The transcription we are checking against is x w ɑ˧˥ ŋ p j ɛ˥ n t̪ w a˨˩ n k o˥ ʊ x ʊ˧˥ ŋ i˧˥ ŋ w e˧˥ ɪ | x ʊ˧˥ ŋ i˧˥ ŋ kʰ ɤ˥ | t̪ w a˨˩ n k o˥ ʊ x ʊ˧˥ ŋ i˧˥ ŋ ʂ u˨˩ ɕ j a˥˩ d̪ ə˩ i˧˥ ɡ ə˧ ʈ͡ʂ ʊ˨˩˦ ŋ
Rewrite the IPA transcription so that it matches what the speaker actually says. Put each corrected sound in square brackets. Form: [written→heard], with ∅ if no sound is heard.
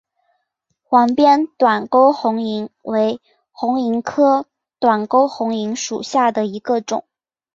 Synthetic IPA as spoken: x w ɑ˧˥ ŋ p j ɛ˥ n t̪ w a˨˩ n k o˥ ʊ x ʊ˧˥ ŋ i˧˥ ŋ w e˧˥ ɪ | x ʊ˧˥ ŋ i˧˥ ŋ kʰ ɤ˥ | t̪ w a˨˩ n k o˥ ʊ x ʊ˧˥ ŋ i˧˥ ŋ ʂ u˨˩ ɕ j a˥˩ d̪ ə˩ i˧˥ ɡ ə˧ ʈ͡ʂ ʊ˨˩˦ ŋ